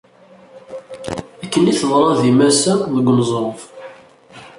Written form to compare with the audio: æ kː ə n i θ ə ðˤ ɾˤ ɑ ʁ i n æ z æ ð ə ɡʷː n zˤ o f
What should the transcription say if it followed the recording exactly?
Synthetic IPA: æ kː ə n i θ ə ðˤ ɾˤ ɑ ð i m æ s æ ð ə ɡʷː n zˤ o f

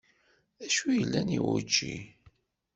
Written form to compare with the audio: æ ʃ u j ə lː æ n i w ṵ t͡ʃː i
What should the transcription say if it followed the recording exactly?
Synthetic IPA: æ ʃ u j ə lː æ n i w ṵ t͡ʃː i

